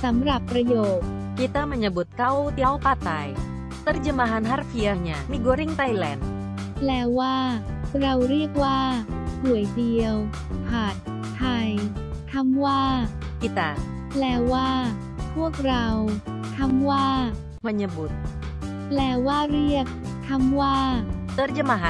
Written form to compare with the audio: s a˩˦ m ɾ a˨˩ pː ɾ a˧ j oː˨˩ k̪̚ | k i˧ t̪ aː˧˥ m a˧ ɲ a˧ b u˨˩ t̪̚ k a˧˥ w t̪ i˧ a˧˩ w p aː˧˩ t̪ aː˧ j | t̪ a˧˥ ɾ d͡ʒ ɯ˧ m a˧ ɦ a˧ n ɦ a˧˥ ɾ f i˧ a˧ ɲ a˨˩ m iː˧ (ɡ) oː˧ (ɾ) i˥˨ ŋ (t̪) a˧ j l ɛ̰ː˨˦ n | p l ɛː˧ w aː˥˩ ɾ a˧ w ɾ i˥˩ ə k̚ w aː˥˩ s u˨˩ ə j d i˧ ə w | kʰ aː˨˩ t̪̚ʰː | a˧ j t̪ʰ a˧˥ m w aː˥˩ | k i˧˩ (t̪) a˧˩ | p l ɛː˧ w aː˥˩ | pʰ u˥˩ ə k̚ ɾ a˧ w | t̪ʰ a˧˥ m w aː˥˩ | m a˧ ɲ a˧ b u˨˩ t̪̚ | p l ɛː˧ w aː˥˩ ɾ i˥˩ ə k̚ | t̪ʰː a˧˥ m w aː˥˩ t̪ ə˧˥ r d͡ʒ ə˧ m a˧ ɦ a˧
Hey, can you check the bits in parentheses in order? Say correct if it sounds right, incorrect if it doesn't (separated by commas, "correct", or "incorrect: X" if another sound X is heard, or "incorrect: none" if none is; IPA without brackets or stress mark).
correct, correct, correct, correct